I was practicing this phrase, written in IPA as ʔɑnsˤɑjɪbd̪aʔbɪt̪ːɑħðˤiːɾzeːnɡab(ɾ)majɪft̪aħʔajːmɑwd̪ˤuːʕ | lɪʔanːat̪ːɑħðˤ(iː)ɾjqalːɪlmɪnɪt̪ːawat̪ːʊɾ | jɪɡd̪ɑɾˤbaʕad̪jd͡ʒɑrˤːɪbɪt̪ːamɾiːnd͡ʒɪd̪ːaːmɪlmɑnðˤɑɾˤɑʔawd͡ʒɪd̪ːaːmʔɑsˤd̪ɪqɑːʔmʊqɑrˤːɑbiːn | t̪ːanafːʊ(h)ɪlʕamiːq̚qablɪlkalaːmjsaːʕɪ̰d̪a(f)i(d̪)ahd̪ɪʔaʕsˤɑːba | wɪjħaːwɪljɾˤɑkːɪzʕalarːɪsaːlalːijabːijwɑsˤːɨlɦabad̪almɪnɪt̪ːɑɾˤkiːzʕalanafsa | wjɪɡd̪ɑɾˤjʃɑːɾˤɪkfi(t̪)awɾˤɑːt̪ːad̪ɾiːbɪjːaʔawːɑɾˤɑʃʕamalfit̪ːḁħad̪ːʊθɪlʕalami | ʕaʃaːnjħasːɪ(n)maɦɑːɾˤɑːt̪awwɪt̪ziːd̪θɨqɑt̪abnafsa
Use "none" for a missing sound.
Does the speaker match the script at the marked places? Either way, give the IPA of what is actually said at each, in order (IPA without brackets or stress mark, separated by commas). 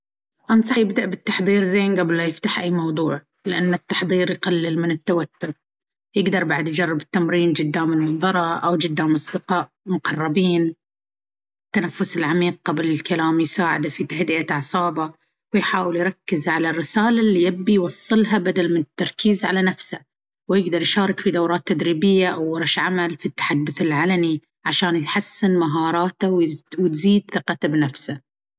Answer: l, iː, s, f, t̪, d̪, n